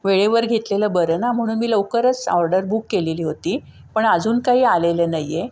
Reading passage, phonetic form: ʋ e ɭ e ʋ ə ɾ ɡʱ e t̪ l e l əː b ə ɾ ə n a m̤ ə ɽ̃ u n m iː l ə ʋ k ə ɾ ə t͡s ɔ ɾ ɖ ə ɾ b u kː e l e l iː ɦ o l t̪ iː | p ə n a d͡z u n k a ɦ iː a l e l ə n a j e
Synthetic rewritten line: ʋ e ɭ e ʋ ə ɾ ɡʱ e t̪ l e l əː b ə ɾ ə n a m̤ ə ɽ̃ uː n m iː l ə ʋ k ə ɾ ə t͡s ɔ ɾ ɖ ə ɾ b u kː e l e l iː ɦ o t̪ iː | p ə ɳ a d͡z uː n k a ɦ iː a l e l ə n a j e

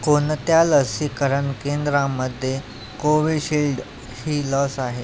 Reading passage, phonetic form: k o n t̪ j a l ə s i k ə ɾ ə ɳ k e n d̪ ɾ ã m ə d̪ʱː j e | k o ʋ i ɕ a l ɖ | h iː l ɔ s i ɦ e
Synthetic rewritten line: k o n t̪ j a l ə s i k ə ɾ ə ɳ k e n d̪ ɾ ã m ə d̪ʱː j e | k o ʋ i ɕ i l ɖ | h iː l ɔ s a ɦ e

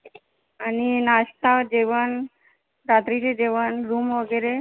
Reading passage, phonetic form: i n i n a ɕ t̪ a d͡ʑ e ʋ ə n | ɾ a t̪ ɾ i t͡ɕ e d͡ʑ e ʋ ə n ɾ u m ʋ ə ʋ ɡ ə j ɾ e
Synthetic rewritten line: a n i n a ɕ t̪ a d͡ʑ e ʋ ə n | ɾ a t̪ ɾ i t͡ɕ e d͡ʑ e ʋ ə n ɾ u m ʋ ə ɡ ə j ɾ e

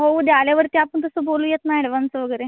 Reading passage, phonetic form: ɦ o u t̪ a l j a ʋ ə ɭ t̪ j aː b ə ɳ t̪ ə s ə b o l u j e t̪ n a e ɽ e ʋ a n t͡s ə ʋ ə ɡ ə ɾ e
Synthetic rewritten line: ɦ o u d̪ a l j a ʋ ə ɾ t̪ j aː p ə ɳ t̪ ə s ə b o l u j e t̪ n a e ɽ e ʋ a n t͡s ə ʋ ə ɡ ə ɾ e

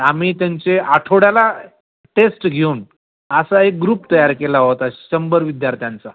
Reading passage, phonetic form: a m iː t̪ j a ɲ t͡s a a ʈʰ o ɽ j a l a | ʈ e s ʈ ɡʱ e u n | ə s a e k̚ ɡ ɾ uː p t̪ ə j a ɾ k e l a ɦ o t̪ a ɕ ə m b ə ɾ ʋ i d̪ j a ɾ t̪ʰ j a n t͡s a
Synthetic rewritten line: a m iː t̪ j a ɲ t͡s e a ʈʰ o ɽ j a l a | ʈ e s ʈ ɡʱ e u n | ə s a e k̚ ɡ ɾ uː p t̪ ə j a ɾ k e l a ɦ o t̪ a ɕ ə m b ə ɾ ʋ i d̪ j a ɾ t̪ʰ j a n t͡s a

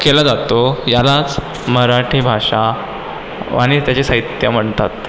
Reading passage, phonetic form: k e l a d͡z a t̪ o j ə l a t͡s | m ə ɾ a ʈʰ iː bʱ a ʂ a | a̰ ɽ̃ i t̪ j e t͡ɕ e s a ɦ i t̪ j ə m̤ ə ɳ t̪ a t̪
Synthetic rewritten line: k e l a d͡z a t̪ o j a l a t͡s | m ə ɾ a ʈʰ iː bʱ a ʂ a | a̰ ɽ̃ i t̪ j a t͡ɕ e s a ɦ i t̪ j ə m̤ ə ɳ t̪ a t̪

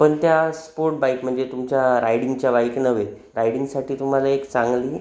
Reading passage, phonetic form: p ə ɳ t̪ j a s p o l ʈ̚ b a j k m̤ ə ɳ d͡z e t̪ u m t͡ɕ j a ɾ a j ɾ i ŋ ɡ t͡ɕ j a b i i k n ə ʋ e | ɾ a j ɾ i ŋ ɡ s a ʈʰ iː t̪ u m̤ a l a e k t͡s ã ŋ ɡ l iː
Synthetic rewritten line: p ə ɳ t̪ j a s p o ɾ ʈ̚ b a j k m̤ ə ɳ d͡z e t̪ u m t͡ɕ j a ɾ a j ɽ i ŋ ɡ t͡ɕ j a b a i k n ə ʋ e | ɾ a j ɽ i ŋ ɡ s a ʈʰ iː t̪ u m̤ a l a e k t͡s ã ŋ ɡ l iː

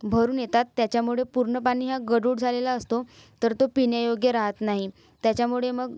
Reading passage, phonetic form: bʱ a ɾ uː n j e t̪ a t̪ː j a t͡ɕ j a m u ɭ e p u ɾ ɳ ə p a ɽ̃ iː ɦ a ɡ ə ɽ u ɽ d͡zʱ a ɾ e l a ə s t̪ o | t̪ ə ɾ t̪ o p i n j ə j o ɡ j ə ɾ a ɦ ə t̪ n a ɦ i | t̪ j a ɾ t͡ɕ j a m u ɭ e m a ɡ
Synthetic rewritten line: bʱ ə ɾ uː n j e t̪ a t̪ː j a t͡ɕ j a m u ɭ e p u ɾ ɳ ə p a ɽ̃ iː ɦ a ɡ ə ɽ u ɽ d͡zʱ a l e l a ə s t̪ o | t̪ ə ɾ t̪ o p i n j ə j o ɡ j ə ɾ a ɦ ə t̪ n a ɦ i | t̪ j a t͡ɕ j a m u ɭ e m ə ɡ

